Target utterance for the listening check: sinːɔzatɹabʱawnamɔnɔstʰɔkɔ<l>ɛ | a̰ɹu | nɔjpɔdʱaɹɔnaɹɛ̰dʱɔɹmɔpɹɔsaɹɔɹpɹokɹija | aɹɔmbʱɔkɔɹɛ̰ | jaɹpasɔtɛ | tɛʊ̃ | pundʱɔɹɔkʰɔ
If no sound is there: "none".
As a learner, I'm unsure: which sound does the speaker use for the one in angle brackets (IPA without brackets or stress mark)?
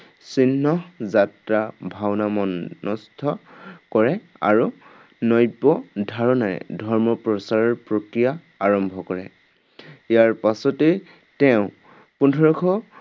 ɹ